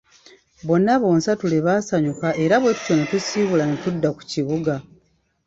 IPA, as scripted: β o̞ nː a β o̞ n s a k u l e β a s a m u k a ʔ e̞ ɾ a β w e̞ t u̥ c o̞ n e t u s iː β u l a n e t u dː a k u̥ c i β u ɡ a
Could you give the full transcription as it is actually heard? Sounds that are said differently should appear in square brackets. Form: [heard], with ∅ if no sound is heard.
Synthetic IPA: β o̞ nː a β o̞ n s a [t] u l e β a s a [ɲ] u k a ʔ e̞ ɾ a β w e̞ t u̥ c o̞ n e t u s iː β u l a n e t u dː a k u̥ c i β u ɡ a